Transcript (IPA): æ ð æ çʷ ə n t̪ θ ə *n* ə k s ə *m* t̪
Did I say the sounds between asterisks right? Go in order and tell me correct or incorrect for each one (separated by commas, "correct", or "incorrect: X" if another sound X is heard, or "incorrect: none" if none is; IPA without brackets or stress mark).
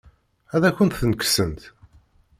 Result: correct, incorrect: n